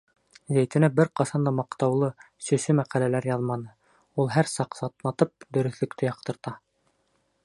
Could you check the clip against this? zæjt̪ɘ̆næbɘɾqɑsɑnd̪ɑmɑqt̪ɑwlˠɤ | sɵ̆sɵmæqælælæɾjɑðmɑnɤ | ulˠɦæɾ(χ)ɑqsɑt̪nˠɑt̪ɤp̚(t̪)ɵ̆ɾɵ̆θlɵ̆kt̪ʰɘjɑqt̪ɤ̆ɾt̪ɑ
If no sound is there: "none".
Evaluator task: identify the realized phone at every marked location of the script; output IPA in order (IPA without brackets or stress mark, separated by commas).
s, d̪